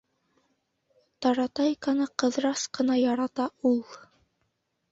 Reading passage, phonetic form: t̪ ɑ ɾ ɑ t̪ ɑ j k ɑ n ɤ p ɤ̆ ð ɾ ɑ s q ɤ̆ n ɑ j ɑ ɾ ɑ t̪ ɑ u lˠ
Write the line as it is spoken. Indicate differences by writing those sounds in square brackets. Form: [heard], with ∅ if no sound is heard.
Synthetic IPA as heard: t̪ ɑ ɾ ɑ t̪ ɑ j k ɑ n ɤ [q] ɤ̆ ð ɾ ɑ s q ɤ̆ n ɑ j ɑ ɾ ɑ t̪ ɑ u lˠ